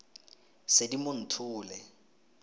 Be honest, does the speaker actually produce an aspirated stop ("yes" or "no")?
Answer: yes